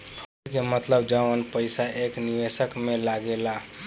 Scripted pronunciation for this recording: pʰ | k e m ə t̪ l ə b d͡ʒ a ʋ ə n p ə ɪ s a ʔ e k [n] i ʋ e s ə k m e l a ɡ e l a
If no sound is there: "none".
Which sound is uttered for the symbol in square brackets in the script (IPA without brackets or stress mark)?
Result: n